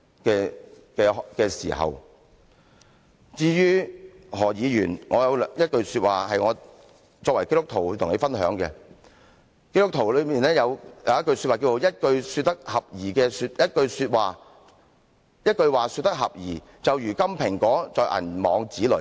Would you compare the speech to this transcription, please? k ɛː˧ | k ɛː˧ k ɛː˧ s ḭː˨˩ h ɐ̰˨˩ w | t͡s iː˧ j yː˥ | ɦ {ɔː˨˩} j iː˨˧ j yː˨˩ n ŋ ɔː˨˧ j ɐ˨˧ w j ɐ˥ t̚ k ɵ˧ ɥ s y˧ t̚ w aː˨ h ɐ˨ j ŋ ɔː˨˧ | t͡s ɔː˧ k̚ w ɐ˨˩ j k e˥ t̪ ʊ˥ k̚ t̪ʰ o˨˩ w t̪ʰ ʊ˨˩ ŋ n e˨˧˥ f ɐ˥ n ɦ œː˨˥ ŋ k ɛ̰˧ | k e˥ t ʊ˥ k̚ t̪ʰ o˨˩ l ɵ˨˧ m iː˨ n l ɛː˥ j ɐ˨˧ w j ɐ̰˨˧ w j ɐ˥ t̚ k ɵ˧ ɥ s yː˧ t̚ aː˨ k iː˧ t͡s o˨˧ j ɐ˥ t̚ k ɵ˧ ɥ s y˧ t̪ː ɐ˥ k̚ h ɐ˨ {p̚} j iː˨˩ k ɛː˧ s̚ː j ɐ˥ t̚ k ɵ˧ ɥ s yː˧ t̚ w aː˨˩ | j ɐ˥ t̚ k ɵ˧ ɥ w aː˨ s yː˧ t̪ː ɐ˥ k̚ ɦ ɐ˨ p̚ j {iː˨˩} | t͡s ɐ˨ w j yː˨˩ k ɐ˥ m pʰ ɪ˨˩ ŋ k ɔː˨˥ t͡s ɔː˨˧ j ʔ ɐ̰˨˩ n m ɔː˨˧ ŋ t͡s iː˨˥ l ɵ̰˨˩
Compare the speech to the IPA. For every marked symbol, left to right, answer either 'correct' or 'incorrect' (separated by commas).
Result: correct, correct, correct